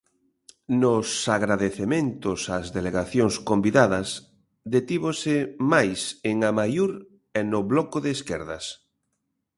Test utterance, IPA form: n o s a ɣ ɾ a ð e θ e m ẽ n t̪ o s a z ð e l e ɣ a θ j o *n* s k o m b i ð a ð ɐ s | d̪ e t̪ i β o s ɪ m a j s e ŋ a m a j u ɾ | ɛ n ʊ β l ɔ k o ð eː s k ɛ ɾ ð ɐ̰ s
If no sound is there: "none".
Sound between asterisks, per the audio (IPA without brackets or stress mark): ŋ